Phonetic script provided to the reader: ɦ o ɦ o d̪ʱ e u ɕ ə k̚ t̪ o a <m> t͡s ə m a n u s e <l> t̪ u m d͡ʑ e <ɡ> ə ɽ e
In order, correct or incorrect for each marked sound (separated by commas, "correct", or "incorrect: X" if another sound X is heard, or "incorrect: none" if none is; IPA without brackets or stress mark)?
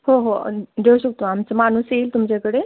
correct, correct, incorrect: k